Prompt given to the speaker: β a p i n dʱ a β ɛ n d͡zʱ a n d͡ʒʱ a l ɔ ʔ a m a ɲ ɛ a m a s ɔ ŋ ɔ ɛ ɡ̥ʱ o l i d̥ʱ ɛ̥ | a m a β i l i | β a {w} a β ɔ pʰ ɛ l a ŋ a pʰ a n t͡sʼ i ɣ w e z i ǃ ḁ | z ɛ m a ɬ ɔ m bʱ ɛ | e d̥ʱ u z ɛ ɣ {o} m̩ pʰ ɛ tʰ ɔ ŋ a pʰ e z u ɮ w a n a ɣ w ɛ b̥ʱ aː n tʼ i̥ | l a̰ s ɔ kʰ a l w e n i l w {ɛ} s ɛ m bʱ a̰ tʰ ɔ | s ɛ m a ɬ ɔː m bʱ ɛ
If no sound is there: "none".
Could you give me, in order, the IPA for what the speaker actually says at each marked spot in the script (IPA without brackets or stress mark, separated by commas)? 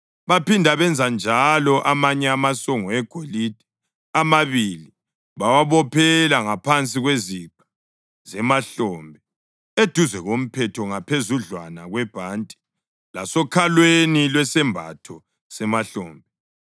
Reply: w, o, ɛ